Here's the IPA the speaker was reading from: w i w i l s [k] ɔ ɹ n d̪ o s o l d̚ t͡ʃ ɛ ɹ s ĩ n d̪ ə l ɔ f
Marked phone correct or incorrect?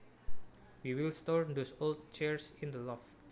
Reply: incorrect